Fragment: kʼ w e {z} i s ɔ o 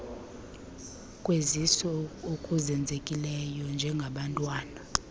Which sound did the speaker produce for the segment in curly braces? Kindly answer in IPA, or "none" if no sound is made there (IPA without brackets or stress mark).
z